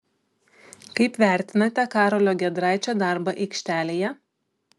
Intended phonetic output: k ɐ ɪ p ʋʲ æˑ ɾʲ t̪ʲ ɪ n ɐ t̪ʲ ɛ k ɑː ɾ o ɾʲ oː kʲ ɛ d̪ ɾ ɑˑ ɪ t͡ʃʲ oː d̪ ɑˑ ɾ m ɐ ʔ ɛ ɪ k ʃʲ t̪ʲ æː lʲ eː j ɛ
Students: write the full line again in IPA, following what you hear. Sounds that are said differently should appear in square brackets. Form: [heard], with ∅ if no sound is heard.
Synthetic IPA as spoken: k ɐ ɪ p ʋʲ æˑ ɾʲ t̪ʲ ɪ n ɐ t̪ʲ ɛ k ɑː ɾ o [lʲ] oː [ɡʲ] ɛ d̪ ɾ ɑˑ ɪ t͡ʃʲ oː d̪ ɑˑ ɾ [b] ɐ ʔ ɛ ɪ k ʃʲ t̪ʲ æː lʲ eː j ɛ